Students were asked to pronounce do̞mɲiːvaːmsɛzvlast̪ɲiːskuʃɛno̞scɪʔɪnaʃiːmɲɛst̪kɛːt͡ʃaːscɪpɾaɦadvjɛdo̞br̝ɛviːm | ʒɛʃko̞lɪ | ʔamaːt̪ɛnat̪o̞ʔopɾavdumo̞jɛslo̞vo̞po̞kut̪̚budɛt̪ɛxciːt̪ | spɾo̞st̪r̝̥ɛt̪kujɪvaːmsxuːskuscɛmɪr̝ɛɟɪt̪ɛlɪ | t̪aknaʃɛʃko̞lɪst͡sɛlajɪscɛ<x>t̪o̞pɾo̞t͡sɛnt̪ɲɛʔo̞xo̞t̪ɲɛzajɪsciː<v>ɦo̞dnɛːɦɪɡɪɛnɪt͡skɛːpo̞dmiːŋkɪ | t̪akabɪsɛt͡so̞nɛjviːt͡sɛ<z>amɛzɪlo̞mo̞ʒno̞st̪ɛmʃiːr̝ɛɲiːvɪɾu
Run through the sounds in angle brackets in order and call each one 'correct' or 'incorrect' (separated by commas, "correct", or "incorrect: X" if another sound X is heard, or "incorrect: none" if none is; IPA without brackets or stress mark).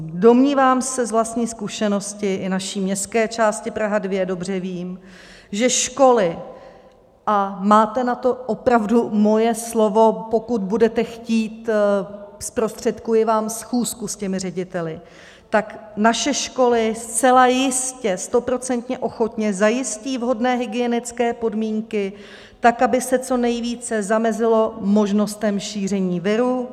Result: incorrect: s, correct, correct